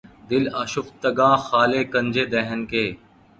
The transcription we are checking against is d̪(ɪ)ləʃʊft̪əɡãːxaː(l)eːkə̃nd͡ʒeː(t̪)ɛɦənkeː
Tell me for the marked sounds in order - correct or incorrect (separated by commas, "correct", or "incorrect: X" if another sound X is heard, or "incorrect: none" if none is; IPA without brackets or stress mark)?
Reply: correct, correct, incorrect: d̪